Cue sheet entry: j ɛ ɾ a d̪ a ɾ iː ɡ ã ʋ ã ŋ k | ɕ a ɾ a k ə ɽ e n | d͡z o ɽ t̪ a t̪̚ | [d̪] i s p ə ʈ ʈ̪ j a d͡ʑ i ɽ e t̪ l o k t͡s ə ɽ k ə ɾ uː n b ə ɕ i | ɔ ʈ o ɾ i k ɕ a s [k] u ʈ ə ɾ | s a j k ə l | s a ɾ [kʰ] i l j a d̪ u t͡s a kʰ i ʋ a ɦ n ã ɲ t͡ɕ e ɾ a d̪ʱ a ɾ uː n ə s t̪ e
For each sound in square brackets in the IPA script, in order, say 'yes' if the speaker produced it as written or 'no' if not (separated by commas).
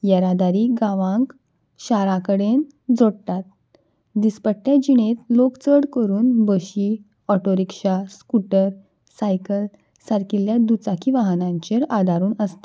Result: yes, yes, no